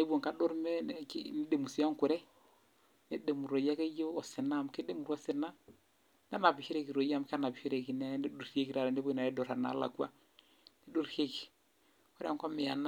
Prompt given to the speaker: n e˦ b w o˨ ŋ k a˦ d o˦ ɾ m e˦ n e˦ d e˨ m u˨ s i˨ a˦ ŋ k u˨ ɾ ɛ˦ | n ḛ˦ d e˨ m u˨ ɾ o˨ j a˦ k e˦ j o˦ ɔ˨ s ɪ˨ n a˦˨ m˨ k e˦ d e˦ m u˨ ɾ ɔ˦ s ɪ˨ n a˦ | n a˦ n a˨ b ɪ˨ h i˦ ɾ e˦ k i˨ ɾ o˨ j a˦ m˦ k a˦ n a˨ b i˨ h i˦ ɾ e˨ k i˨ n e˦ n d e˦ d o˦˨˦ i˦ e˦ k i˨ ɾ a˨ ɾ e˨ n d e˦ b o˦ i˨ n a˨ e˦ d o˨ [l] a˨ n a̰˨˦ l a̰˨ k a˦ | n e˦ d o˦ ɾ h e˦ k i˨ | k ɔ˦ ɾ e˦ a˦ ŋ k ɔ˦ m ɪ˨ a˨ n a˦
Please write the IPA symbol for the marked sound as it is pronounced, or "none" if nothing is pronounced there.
ɾ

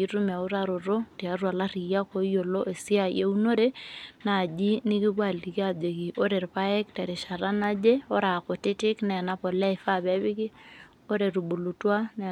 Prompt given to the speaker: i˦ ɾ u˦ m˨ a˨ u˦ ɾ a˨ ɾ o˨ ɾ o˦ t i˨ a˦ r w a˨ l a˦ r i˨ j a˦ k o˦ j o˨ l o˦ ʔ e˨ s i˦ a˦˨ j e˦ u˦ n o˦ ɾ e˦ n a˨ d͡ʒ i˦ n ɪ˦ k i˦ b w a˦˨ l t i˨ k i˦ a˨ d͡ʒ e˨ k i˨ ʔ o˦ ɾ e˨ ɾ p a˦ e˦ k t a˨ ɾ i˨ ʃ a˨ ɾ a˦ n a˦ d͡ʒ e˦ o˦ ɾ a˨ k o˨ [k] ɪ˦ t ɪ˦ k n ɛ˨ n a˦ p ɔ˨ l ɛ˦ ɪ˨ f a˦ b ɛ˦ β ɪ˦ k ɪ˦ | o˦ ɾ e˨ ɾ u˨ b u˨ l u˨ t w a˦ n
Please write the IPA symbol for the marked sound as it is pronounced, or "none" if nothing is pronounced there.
t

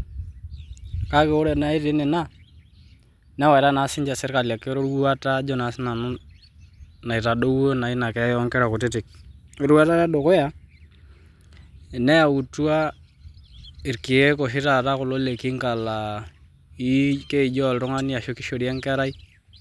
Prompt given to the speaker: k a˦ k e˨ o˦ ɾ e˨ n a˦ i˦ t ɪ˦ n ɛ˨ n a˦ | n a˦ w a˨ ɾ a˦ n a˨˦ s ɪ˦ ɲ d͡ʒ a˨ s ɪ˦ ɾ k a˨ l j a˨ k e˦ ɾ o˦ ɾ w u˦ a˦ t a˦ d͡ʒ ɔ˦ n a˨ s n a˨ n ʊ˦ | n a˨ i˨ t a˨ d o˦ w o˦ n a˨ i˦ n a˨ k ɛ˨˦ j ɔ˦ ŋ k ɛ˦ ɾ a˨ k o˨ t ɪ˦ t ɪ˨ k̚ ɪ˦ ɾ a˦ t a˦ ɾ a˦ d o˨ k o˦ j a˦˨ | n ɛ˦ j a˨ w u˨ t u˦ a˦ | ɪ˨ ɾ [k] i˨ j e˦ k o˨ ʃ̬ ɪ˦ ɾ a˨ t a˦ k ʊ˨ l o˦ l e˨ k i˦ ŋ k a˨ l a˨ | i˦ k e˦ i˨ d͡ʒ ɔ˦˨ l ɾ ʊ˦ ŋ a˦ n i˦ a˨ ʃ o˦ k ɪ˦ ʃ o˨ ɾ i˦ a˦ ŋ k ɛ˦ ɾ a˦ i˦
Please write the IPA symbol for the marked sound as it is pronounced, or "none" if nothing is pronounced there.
k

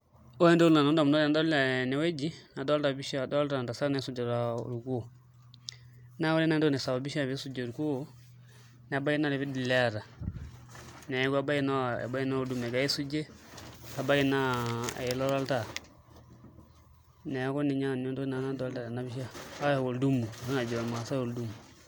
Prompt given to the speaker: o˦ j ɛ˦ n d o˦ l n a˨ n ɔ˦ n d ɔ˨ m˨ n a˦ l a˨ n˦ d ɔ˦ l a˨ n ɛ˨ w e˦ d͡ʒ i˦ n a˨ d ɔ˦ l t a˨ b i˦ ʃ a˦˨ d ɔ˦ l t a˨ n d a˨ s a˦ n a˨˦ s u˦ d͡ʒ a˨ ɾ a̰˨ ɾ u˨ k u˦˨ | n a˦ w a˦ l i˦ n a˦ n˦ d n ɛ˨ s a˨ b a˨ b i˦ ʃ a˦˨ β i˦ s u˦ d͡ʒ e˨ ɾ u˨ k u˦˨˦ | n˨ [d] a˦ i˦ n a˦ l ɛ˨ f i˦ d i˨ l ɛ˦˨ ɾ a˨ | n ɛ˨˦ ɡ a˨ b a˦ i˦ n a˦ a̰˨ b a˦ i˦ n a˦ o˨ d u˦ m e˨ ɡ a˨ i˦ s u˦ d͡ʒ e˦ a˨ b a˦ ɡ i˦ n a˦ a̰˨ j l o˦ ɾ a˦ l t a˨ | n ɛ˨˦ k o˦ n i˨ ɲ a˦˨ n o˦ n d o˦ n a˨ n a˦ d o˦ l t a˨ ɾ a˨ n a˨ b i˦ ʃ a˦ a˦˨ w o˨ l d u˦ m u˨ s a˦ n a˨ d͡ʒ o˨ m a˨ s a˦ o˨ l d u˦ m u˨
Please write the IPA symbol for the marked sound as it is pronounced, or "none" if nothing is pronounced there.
b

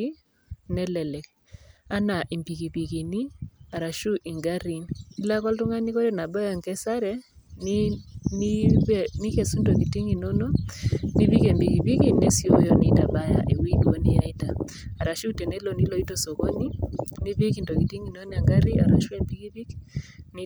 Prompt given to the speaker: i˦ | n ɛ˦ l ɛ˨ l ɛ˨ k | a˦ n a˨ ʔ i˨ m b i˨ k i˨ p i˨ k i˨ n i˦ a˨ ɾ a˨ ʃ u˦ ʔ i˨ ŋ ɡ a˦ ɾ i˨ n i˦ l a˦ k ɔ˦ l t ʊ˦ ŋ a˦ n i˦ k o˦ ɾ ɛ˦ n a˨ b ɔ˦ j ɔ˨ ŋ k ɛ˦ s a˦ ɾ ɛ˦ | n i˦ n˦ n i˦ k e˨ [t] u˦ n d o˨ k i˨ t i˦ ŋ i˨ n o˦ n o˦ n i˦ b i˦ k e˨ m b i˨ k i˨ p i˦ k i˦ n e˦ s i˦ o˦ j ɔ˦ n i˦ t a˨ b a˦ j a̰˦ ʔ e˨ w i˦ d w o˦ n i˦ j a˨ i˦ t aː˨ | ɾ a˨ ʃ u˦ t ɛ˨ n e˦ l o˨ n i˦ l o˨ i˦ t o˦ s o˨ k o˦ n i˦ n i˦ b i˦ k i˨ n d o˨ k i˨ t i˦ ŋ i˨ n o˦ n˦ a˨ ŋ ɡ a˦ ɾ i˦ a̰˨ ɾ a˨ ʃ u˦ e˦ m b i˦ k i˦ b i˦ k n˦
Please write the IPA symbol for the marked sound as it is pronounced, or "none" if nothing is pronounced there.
s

